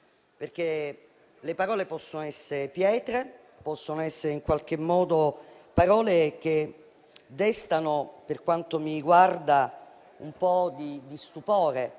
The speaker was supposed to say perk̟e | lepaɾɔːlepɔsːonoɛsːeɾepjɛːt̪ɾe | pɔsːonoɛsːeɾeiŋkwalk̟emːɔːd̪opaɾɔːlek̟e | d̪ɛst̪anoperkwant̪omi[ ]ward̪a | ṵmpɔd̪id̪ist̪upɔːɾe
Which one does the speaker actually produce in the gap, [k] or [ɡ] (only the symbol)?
ɡ